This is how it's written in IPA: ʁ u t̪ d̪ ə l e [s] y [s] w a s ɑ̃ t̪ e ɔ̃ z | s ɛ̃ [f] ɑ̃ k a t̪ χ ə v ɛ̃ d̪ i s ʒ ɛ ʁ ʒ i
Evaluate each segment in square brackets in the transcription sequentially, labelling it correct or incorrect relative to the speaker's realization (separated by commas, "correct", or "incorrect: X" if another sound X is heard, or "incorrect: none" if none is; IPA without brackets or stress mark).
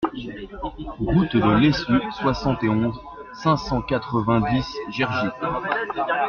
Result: correct, correct, incorrect: s